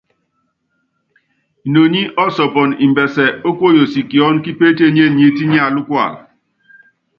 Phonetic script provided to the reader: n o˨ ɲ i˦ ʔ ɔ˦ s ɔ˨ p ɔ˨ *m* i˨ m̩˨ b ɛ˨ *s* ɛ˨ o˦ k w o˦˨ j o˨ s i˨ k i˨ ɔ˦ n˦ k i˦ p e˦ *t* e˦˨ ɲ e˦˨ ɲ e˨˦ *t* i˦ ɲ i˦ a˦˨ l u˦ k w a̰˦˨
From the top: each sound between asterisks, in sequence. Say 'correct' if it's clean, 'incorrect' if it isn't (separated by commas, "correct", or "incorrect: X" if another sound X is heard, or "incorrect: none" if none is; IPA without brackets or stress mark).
incorrect: n, correct, correct, correct